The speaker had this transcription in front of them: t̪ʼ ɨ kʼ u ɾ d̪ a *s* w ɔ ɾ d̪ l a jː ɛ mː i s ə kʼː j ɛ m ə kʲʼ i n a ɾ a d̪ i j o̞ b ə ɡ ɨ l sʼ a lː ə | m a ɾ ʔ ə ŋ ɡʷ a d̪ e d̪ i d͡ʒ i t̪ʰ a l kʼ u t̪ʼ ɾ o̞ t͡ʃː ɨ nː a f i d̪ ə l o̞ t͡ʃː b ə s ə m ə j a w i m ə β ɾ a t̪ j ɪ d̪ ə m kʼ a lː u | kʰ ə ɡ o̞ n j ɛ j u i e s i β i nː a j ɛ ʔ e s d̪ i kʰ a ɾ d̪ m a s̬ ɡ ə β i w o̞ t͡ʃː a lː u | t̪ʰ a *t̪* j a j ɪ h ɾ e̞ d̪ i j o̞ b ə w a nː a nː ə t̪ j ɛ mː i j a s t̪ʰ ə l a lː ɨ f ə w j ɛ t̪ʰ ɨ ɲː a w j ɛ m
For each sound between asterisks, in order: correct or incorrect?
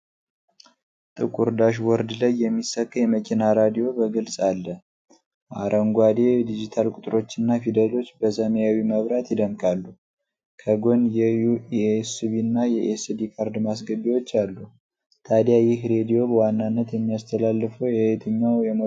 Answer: incorrect: ʃ, incorrect: d̪

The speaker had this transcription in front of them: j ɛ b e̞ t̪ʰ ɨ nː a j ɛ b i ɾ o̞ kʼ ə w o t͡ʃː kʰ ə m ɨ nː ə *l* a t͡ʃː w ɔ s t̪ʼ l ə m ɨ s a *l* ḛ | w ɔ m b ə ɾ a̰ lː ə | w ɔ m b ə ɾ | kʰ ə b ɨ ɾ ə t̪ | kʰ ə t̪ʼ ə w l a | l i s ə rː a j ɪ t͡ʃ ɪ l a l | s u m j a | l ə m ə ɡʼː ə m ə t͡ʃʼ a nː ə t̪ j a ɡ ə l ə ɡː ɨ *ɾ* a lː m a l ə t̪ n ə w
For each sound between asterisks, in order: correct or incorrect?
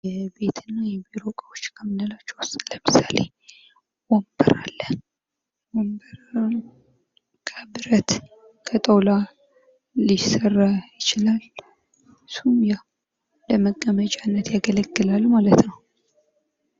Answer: correct, correct, incorrect: l

